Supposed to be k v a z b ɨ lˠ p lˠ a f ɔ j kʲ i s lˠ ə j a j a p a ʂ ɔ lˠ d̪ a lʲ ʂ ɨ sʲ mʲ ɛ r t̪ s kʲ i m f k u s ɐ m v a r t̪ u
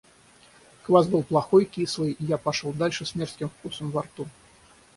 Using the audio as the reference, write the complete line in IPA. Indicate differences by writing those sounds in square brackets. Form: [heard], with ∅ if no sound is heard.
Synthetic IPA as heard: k v a z b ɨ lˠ p lˠ a [x] ɔ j kʲ i s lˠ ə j [i] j a p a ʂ ɔ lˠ d̪ a lʲ ʂ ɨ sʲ mʲ ɛ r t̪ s kʲ i m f k u s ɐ m v a r t̪ u